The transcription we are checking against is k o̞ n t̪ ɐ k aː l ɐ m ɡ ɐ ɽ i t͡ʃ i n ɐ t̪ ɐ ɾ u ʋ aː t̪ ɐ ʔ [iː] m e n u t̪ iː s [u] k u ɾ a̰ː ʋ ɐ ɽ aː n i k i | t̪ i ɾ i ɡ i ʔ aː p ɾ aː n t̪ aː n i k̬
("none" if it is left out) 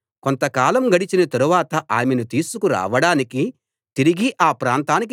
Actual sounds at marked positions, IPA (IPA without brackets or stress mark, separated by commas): aː, u